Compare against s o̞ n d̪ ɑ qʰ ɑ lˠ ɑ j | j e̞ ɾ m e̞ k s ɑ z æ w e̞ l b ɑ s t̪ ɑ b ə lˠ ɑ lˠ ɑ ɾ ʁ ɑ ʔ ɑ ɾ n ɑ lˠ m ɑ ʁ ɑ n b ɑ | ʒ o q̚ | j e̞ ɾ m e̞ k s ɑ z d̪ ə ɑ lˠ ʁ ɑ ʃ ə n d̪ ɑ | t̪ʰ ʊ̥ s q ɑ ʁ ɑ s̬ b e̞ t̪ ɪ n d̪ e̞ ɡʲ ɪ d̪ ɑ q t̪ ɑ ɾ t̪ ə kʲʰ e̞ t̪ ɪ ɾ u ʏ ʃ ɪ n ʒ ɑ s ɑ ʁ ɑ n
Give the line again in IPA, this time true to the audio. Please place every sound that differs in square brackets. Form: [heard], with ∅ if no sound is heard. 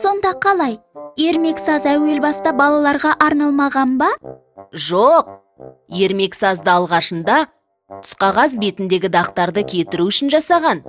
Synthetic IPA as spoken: s o̞ n d̪ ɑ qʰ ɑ lˠ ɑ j | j e̞ ɾ m e̞ k s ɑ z æ w e̞ l b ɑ s t̪ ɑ b [ɑ] lˠ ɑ lˠ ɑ ɾ ʁ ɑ ʔ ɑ ɾ n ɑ lˠ m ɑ ʁ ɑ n b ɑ | ʒ o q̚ | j e̞ ɾ m e̞ k s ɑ z d̪ ə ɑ lˠ ʁ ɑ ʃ ə n d̪ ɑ | t̪ʰ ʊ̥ s q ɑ ʁ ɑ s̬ b e̞ t̪ ɪ n d̪ e̞ ɡʲ ɪ d̪ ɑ q t̪ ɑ ɾ [d̪] ə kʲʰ e̞ t̪ ɪ ɾ u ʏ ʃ ɪ n ʒ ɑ s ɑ ʁ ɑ n

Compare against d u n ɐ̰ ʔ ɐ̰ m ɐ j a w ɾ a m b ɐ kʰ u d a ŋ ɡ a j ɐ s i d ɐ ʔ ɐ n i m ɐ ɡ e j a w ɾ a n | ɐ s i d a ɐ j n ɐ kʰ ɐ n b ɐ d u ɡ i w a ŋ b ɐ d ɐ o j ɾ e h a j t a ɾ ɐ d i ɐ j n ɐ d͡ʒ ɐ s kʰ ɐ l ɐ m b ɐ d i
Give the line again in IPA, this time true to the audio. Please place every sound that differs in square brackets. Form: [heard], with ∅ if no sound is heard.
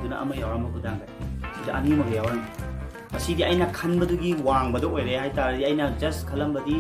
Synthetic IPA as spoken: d u n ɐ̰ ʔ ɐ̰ m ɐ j a w ɾ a m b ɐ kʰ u d a ŋ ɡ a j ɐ s i d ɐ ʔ ɐ n i m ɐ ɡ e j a w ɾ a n | ɐ s i d [i] ɐ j n ɐ kʰ ɐ n b ɐ d u ɡ i w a ŋ b ɐ d ɐ o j ɾ e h a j t a ɾ ɐ d i ɐ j n ɐ d͡ʒ ɐ s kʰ ɐ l ɐ m b ɐ d i

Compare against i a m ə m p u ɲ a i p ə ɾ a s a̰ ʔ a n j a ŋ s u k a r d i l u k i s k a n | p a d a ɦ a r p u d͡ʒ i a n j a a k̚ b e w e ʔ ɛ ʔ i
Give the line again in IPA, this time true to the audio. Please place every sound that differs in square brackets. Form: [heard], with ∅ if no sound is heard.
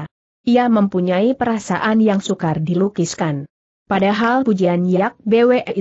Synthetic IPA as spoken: i a m ə m p u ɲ a i p ə ɾ a s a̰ ʔ a n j a ŋ s u k a r d i l u k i s k a n | p a d a ɦ a [l] p u d͡ʒ i a n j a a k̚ b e w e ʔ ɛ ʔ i

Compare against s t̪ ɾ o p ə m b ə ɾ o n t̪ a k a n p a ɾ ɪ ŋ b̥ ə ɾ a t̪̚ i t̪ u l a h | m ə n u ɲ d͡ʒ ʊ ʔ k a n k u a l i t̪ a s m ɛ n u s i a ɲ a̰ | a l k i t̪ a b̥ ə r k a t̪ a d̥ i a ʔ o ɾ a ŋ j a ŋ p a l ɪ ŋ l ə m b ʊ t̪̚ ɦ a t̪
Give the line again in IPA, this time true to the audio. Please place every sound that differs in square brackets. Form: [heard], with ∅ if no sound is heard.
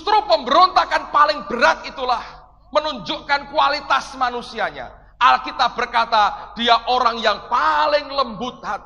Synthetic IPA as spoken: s t̪ ɾ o p ə m b ə ɾ o n t̪ a k a n p a [l] ɪ ŋ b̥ ə ɾ a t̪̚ i t̪ u l a h | m ə n u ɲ d͡ʒ ʊ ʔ k a n k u a l i t̪ a s m [a] n u s i a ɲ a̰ | a l k i t̪ a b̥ ə r k a t̪ a d̥ i a ʔ o ɾ a ŋ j a ŋ p a l ɪ ŋ l ə m b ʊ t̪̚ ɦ a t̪

